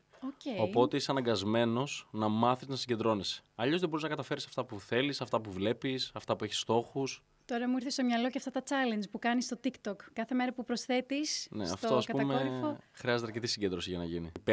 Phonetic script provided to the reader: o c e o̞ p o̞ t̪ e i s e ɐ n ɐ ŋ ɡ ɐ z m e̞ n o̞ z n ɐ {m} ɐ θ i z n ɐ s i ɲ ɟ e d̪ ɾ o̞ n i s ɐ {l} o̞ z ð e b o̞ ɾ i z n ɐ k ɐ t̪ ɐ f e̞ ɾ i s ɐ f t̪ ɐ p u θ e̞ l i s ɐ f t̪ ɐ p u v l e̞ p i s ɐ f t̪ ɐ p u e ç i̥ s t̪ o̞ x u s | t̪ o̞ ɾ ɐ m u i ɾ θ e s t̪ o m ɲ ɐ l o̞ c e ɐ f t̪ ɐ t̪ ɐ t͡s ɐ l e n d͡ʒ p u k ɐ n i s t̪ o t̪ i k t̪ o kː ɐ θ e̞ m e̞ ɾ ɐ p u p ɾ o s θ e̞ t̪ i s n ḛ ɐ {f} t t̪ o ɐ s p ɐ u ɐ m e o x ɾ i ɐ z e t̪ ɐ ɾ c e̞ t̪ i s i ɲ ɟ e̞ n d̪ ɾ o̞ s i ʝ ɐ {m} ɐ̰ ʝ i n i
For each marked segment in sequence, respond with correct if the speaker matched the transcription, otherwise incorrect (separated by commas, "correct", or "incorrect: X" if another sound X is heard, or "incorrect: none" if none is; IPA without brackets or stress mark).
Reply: correct, incorrect: ʎ, correct, incorrect: n